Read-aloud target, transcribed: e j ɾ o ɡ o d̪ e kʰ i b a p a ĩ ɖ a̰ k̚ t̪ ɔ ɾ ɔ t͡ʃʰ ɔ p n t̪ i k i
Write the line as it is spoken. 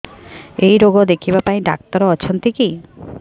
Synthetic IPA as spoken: e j ɾ o ɡ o d̪ e kʰ i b a p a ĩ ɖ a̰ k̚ t̪ ɔ ɾ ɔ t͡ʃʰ ɔ n t̪ i k i